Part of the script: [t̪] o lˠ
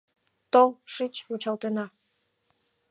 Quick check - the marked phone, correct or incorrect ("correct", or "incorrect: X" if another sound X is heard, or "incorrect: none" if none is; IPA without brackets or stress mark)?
correct